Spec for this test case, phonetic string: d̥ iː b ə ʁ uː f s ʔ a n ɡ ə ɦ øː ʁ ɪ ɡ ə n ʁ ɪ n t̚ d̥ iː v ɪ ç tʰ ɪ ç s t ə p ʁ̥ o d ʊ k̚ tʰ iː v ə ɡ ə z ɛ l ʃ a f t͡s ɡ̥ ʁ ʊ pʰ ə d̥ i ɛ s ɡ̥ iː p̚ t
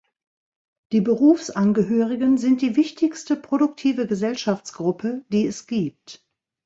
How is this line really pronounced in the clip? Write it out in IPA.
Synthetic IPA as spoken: d̥ iː b ə ʁ uː f s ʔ a n ɡ ə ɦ øː ʁ ɪ ɡ ə n z ɪ n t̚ d̥ iː v ɪ ç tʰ ɪ ç s t ə p ʁ̥ o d ʊ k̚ tʰ iː v ə ɡ ə z ɛ l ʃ a f t͡s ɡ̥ ʁ ʊ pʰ ə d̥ iː ɛ s ɡ̥ iː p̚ t